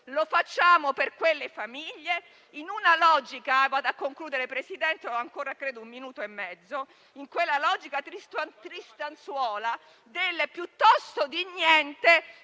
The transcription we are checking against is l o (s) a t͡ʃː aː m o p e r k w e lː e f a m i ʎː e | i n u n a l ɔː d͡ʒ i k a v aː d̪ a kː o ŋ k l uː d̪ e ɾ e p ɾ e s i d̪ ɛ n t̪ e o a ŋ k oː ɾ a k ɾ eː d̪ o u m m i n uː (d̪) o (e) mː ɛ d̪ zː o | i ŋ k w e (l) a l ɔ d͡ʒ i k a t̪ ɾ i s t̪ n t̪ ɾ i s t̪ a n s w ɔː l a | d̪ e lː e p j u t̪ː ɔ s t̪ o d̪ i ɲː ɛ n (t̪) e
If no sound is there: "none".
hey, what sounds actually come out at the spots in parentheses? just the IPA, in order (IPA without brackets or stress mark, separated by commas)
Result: f, t̪, e, lː, t̪